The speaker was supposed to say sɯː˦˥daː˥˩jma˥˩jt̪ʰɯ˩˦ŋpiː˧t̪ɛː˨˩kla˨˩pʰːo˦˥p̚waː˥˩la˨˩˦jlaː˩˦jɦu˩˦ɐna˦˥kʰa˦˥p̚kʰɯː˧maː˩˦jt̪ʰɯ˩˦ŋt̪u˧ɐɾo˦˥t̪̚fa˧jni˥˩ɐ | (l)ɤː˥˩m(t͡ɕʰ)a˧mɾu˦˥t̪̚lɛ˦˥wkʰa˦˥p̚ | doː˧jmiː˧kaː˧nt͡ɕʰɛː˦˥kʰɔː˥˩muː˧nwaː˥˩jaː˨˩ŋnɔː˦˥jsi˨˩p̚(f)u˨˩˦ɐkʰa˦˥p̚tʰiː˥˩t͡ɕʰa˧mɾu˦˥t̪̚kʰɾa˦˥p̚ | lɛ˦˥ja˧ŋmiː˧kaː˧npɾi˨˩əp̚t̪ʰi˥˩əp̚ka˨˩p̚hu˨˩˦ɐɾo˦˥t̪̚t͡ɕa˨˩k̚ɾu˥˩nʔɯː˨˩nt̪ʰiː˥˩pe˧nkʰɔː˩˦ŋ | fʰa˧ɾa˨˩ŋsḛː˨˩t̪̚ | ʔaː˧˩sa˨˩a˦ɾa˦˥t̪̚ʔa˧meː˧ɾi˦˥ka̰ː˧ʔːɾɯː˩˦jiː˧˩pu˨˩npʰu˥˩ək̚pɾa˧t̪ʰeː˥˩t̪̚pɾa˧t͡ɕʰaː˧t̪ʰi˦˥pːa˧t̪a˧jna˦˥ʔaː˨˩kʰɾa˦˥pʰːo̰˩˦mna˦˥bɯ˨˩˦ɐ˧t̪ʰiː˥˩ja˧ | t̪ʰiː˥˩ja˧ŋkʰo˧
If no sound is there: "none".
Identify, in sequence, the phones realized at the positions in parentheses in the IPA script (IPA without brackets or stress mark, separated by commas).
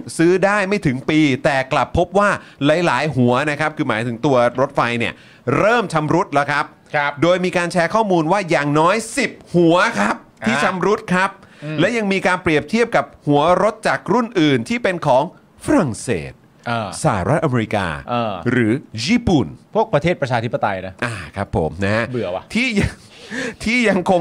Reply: ɾ, t͡ɕʰ, h